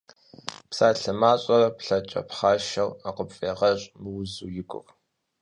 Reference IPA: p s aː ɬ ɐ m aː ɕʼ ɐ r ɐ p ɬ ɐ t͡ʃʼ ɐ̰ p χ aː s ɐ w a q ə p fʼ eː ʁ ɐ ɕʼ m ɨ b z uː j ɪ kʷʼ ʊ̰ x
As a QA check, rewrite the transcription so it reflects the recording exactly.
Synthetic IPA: p s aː ɬ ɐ m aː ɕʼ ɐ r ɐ p ɬ ɐ t͡ʃʼ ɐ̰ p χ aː ʃ ɐ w a q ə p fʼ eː ʁ ɐ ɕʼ m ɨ w z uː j ɪ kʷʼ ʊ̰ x